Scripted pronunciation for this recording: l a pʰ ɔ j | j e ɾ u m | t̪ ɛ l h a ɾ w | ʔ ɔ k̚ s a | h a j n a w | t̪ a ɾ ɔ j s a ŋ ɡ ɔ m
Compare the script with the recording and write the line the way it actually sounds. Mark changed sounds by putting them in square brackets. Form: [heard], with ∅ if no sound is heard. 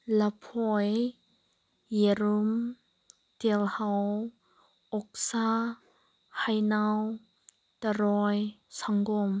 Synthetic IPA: l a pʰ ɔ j | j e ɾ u m | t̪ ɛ l h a [∅] w | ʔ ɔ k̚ s a | h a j n a w | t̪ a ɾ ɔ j s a ŋ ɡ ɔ m

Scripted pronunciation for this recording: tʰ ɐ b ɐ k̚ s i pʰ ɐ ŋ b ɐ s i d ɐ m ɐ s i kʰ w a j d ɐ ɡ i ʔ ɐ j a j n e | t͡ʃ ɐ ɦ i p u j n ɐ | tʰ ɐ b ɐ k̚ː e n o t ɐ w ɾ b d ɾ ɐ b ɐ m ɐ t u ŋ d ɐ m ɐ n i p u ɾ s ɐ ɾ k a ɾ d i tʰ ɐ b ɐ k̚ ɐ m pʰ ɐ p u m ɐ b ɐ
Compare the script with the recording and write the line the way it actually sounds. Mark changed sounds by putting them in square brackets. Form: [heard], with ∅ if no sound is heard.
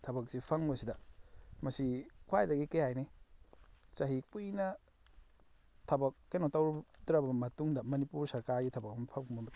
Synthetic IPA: tʰ ɐ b ɐ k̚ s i pʰ ɐ ŋ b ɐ s i d ɐ m ɐ s i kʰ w a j d ɐ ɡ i [k] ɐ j a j n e | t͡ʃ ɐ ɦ i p u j n ɐ | tʰ ɐ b ɐ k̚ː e n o t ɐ w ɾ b d ɾ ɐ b ɐ m ɐ t u ŋ d ɐ m ɐ n i p u ɾ s ɐ ɾ k a ɾ [ɡ] i tʰ ɐ b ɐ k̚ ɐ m pʰ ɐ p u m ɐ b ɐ

